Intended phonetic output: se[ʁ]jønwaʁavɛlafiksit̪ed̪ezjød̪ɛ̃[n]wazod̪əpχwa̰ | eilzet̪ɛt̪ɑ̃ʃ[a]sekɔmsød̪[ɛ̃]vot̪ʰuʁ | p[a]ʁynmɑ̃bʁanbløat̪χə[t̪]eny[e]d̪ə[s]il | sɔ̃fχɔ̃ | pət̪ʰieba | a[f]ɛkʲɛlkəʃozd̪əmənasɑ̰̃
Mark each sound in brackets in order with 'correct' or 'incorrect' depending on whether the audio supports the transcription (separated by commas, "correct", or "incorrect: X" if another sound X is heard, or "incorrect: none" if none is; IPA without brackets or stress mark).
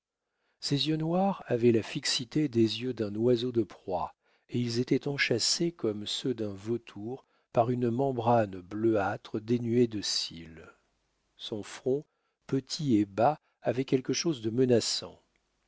incorrect: z, correct, correct, correct, correct, incorrect: d̪, correct, correct, incorrect: v